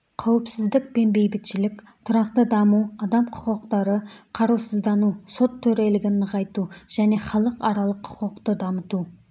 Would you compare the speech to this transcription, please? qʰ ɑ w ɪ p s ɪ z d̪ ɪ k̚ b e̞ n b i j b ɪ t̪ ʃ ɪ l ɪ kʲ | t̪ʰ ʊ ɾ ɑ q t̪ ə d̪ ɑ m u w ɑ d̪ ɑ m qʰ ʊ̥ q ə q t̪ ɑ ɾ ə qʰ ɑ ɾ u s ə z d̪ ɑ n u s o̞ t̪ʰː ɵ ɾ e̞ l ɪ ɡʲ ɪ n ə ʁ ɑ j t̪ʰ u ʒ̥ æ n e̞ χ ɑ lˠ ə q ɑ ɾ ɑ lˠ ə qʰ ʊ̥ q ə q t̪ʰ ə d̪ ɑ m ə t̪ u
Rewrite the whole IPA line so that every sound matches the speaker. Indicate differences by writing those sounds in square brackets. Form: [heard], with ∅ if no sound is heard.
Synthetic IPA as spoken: qʰ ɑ w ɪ p s ɪ z d̪ ɪ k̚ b e̞ n b [e] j b ɪ t̪ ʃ ɪ l ɪ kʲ | t̪ʰ ʊ ɾ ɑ q t̪ ə d̪ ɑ m u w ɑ d̪ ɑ m qʰ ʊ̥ q ə q t̪ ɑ ɾ ə qʰ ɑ ɾ u s ə z d̪ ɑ n u s o̞ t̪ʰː ɵ ɾ e̞ l ɪ ɡʲ ɪ n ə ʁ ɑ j [t̪] u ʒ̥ æ n e̞ χ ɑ lˠ ə q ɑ ɾ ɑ lˠ ə qʰ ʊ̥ q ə q [t̪] ə d̪ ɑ m ə t̪ u